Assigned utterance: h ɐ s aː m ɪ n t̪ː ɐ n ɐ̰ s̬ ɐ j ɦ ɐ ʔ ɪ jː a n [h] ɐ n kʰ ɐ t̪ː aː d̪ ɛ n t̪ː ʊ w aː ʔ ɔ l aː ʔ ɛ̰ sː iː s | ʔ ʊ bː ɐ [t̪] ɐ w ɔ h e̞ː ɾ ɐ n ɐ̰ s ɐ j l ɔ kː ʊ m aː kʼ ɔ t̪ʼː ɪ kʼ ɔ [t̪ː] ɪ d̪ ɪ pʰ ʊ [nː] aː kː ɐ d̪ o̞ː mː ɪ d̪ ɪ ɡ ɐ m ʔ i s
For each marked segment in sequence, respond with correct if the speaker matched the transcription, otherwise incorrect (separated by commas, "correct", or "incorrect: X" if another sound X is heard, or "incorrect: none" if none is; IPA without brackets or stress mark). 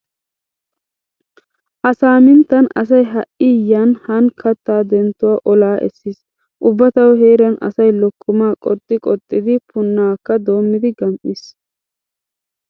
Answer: correct, correct, incorrect: t̪ʼː, correct